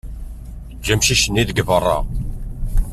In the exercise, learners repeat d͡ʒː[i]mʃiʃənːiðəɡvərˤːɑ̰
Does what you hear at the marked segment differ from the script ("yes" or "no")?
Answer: yes